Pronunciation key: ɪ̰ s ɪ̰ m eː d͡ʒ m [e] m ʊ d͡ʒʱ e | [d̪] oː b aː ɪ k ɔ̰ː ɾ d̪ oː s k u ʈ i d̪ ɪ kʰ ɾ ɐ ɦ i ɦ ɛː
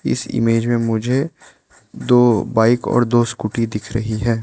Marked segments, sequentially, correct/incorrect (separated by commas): incorrect, correct